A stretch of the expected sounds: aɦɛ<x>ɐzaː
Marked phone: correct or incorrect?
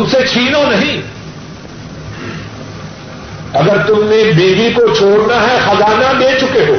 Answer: correct